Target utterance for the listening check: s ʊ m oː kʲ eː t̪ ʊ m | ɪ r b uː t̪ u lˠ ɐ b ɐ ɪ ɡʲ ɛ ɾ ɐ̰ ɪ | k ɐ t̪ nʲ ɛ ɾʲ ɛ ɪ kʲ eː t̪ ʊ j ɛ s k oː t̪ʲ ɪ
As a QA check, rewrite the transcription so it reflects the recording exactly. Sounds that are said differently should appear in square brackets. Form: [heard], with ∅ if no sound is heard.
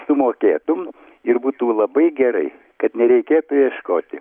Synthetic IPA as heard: s ʊ m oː kʲ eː t̪ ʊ m | ɪ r b uː t̪ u lˠ ɐ b ɐ ɪ ɡʲ ɛ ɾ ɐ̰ ɪ | k ɐ t̪ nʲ ɛ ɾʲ ɛ ɪ kʲ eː t̪ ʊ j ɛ [ʃ] k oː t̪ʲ ɪ